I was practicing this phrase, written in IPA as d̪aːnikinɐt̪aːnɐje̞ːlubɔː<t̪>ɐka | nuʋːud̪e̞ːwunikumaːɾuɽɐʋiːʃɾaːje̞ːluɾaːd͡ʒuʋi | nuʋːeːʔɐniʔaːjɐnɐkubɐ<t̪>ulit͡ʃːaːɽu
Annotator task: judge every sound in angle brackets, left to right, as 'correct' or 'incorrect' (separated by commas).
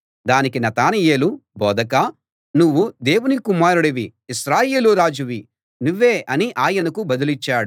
incorrect, incorrect